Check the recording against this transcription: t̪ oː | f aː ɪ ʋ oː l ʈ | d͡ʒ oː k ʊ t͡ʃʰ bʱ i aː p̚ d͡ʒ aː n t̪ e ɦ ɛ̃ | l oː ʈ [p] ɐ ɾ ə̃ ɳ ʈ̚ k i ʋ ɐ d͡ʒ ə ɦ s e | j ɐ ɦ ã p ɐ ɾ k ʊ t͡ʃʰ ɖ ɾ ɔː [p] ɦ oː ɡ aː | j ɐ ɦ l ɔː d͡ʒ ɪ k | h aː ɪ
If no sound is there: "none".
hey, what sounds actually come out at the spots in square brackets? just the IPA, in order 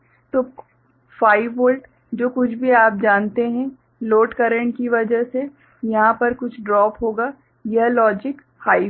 k, p

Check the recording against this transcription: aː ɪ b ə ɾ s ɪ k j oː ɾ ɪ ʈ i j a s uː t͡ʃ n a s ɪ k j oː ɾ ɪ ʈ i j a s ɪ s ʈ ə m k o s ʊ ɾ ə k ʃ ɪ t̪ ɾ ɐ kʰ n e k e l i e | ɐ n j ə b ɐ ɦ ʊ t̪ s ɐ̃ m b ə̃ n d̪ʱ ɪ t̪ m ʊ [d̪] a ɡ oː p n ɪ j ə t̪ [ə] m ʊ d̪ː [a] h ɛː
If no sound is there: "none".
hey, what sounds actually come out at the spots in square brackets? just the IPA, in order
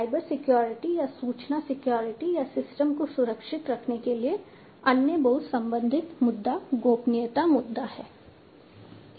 d̪ː, a, a

